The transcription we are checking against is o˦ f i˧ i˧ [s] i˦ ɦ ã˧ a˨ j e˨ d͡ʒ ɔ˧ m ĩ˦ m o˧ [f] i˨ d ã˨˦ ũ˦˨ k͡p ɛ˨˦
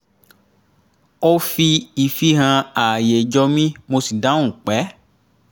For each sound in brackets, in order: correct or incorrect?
incorrect: f, incorrect: s

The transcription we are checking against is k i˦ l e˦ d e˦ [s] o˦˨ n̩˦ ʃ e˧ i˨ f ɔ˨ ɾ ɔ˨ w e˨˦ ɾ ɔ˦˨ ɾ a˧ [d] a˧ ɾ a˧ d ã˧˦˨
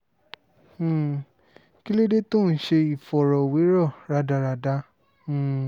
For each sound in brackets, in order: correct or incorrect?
incorrect: t, correct

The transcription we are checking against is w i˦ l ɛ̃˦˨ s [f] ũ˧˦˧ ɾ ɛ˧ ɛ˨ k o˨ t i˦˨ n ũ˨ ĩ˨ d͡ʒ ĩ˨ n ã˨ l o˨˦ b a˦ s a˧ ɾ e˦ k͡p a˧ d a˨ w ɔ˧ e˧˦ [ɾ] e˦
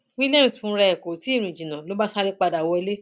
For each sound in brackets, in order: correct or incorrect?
correct, incorrect: l

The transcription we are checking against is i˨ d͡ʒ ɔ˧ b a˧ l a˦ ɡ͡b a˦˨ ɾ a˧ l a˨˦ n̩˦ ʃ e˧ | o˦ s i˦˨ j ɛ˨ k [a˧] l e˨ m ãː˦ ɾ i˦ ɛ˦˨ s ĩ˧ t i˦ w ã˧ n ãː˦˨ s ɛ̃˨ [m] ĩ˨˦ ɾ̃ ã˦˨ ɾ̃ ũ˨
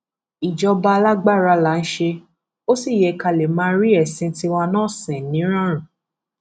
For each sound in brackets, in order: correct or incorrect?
correct, incorrect: n

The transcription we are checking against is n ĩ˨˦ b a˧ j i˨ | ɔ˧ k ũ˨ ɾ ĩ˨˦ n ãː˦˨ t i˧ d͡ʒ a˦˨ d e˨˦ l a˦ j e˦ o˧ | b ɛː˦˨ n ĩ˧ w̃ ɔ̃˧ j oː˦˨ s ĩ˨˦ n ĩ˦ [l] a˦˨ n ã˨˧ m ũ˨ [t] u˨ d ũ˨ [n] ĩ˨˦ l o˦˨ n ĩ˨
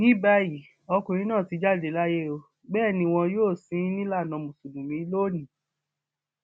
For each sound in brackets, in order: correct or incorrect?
correct, incorrect: s, incorrect: m

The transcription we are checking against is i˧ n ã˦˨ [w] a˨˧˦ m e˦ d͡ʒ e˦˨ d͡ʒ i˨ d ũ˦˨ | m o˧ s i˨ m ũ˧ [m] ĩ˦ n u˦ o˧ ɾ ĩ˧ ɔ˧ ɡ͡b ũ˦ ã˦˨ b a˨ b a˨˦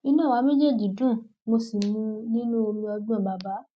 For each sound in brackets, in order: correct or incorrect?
correct, incorrect: n

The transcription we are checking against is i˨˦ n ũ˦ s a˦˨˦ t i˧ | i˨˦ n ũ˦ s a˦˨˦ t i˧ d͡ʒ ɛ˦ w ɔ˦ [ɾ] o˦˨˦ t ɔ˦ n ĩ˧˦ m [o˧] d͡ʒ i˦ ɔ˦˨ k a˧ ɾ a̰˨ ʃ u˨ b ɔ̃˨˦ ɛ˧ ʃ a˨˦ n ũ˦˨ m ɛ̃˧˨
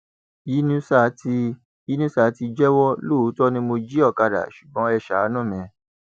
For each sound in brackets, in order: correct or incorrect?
incorrect: l, correct

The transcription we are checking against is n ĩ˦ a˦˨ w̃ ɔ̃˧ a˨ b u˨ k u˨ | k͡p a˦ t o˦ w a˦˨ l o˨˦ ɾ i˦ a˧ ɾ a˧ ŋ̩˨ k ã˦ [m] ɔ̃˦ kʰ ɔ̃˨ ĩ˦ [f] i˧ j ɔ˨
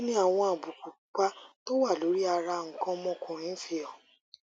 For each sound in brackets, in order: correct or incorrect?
correct, correct

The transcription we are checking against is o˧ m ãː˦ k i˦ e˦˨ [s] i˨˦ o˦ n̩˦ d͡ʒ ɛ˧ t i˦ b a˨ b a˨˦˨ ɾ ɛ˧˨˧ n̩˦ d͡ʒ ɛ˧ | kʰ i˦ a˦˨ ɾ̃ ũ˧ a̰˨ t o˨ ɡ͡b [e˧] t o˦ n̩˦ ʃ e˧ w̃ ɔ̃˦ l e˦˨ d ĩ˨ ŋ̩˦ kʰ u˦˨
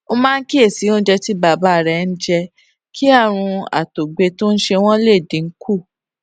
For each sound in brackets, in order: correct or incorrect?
correct, correct

